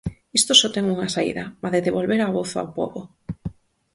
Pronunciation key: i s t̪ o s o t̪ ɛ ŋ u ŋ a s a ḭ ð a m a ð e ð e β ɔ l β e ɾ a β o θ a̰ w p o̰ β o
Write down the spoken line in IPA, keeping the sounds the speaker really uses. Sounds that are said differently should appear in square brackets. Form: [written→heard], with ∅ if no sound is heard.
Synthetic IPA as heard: i s t̪ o s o t̪ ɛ ŋ u ŋ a s a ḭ ð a m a ð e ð e β [ɔ→o] l β e ɾ a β o θ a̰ w p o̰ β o